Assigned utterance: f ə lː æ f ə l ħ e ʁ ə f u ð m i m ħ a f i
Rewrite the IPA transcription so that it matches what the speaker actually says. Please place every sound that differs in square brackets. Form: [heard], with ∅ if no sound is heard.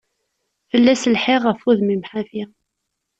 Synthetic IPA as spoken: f ə lː æ [s] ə l ħ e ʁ ə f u ð m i m ħ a f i